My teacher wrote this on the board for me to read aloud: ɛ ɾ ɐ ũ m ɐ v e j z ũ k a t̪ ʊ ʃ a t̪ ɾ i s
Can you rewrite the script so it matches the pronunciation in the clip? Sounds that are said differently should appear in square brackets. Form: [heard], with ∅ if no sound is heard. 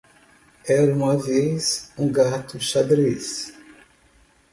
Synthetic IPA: ɛ ɾ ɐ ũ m ɐ v e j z ũ [ɡ] a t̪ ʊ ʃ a [d̪] ɾ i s